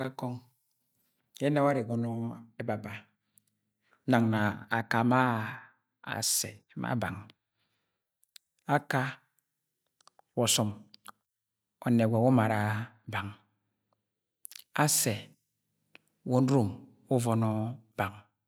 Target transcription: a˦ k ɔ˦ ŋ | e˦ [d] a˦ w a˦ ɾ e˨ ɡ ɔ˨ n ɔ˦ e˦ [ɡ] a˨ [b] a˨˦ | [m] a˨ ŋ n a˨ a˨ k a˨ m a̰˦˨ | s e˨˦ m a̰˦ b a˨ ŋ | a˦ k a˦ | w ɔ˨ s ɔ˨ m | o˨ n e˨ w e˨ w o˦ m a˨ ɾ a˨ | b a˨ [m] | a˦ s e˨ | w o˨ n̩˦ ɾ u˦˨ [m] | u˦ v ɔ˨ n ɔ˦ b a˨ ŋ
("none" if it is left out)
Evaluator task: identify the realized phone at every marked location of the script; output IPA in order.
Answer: n, b, b, n, ŋ, m

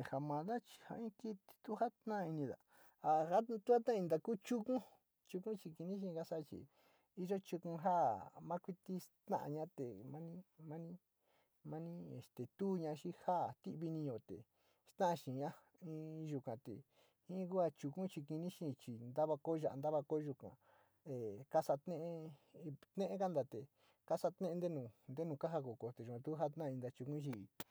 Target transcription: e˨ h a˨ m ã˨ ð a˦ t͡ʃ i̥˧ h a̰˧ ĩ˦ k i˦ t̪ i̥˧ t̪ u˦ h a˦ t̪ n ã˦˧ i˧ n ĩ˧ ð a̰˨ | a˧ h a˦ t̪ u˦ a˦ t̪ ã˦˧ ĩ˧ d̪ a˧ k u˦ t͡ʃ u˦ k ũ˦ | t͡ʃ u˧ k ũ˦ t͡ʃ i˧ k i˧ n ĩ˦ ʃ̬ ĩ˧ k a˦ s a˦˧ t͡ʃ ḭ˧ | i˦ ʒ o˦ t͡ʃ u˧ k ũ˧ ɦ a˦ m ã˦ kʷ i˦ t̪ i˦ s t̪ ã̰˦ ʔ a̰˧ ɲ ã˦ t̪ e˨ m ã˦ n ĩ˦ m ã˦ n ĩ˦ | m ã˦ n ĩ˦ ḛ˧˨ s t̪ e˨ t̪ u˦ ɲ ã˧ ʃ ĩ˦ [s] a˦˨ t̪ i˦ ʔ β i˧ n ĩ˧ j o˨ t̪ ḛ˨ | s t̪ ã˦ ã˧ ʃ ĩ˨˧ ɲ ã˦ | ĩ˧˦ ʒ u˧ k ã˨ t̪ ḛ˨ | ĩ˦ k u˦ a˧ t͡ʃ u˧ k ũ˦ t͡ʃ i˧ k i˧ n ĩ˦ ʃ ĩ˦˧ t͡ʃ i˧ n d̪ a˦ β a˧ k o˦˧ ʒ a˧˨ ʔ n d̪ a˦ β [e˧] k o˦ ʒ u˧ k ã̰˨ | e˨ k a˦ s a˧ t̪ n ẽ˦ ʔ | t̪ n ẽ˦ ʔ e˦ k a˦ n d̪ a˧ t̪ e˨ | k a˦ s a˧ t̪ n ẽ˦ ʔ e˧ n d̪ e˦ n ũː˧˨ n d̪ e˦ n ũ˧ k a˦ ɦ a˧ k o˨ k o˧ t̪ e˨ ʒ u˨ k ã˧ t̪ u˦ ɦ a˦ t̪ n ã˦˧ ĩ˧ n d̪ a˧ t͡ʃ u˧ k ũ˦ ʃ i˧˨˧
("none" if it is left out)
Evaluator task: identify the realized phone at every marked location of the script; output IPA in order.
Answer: h, a˧

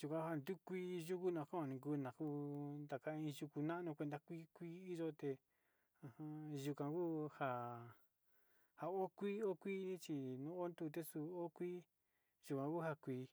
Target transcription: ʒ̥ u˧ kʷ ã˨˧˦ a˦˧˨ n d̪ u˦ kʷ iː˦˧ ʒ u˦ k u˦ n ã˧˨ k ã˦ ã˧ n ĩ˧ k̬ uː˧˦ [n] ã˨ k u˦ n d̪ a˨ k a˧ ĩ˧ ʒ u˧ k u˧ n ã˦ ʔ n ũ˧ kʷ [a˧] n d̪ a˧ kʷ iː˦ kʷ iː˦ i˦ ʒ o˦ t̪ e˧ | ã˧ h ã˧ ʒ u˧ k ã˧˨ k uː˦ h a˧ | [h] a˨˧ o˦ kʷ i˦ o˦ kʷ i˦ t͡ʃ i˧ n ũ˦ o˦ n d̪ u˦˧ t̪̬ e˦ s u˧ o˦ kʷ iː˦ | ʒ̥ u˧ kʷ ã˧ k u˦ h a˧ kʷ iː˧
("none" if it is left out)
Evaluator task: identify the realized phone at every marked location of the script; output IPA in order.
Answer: n, e˧, h

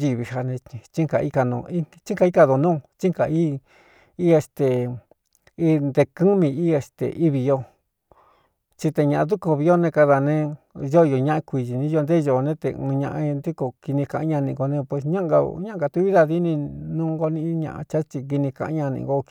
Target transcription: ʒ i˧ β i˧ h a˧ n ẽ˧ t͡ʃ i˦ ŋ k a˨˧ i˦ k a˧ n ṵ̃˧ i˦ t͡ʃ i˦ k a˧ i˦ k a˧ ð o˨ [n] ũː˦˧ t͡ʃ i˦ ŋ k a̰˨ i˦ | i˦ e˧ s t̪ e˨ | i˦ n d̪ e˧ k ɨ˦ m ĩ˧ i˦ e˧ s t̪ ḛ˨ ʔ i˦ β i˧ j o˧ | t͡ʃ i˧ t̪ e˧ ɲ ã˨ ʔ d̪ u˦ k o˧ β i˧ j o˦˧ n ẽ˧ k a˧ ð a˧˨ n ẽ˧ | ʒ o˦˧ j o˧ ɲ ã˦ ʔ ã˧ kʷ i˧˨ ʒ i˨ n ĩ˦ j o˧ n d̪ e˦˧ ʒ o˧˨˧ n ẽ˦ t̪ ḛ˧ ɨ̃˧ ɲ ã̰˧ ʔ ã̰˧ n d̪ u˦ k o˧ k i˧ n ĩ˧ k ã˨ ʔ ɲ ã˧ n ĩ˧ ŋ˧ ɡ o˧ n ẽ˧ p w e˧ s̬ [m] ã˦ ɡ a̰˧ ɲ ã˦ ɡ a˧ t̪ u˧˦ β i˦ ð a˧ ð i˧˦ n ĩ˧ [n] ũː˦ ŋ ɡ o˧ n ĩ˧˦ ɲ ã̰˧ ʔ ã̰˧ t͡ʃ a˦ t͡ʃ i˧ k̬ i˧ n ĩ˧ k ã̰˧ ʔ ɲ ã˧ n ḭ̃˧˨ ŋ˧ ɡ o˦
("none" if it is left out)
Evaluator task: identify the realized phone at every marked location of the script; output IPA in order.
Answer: n, ɲ, n

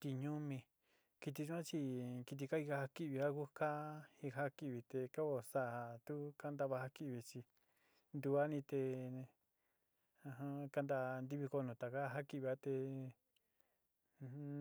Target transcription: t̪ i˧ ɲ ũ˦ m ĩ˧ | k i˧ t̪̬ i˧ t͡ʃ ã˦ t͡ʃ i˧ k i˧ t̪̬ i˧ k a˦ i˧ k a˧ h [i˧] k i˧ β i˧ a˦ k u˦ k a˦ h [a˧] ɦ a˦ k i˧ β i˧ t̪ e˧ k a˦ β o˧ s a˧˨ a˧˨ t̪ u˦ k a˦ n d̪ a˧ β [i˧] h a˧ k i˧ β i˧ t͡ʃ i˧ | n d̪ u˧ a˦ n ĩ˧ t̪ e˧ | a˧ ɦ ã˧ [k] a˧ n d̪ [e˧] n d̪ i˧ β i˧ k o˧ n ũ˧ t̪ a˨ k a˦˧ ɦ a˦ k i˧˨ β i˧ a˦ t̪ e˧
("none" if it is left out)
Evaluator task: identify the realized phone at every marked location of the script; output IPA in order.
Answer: a˧, i˧, a˧, k, a˧

